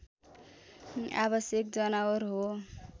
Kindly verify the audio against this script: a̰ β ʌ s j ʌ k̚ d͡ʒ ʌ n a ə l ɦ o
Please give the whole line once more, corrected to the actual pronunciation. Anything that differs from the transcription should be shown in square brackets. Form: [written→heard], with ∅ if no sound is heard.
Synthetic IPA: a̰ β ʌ s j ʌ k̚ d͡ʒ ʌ n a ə [l→ɾ] ɦ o